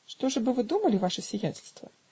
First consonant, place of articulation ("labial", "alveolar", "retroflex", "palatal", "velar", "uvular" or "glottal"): retroflex